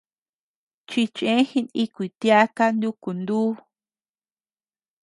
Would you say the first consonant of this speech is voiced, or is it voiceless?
voiceless